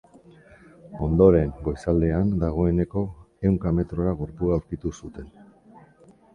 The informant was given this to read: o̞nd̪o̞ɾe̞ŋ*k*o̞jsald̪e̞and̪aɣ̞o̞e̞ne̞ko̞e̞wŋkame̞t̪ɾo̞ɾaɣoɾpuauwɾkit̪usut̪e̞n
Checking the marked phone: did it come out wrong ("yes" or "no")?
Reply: yes